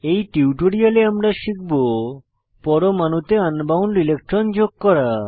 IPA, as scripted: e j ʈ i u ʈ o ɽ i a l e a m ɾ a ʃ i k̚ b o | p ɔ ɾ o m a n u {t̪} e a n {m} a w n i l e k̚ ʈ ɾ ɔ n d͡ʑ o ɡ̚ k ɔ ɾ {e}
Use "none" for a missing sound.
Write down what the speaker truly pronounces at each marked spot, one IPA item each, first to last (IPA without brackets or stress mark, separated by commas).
t̪, b, a